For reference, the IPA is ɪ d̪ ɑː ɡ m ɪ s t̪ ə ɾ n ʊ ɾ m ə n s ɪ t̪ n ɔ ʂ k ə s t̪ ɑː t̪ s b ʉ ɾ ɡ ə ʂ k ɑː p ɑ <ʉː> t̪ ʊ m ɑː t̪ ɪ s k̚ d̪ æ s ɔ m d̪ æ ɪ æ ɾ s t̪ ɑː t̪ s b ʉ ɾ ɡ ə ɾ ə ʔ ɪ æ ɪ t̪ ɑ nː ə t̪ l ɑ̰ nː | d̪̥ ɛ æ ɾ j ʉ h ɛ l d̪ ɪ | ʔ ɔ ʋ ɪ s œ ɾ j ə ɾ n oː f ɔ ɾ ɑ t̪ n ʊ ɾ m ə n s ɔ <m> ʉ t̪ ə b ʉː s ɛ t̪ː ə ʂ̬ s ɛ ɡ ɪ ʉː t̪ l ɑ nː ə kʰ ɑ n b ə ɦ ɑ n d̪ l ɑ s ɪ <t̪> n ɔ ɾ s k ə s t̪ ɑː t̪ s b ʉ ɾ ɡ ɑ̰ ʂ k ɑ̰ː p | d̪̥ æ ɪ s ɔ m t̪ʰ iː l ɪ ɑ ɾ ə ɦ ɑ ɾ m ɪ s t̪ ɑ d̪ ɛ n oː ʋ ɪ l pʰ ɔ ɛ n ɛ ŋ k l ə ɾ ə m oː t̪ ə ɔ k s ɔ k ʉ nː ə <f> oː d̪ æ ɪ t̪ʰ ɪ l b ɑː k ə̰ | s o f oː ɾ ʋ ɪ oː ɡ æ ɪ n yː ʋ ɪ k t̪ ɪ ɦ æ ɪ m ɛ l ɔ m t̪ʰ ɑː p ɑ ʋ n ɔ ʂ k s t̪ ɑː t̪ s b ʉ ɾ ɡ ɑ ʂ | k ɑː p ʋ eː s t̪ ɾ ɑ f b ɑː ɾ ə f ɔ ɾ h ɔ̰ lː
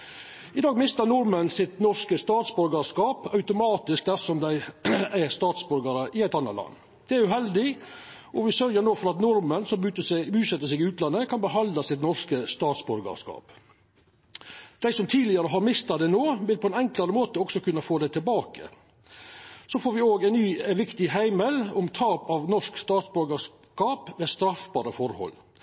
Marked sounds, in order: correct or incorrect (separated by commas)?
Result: incorrect, correct, correct, correct